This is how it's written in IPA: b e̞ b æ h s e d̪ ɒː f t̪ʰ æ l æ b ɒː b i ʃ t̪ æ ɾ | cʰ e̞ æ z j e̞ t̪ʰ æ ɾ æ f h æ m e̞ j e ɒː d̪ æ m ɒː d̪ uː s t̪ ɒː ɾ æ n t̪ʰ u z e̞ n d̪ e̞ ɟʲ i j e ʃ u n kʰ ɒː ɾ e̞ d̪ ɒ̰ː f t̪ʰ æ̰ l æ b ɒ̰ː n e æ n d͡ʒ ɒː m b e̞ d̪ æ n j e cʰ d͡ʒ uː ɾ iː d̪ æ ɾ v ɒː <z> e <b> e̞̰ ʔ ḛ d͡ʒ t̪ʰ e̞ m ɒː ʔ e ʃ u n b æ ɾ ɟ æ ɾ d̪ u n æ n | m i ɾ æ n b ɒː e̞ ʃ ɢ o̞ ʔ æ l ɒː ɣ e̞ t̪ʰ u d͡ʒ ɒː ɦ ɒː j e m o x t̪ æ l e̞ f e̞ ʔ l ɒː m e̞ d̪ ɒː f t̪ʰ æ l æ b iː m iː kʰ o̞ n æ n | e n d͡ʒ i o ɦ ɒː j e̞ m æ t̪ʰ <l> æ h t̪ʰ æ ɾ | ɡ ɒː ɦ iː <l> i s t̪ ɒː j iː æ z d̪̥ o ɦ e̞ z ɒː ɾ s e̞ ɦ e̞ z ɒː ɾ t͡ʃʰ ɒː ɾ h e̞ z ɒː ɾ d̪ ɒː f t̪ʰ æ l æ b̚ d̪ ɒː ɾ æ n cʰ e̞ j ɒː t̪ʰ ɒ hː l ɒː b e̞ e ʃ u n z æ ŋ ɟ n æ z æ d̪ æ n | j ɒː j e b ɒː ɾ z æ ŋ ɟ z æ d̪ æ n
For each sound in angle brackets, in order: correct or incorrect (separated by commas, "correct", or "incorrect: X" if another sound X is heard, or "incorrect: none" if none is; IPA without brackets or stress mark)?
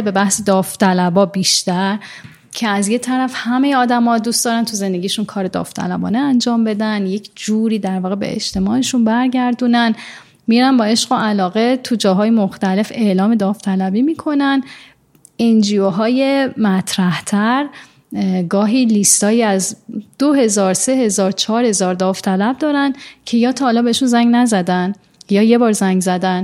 incorrect: ɣ, correct, incorrect: ɾ, correct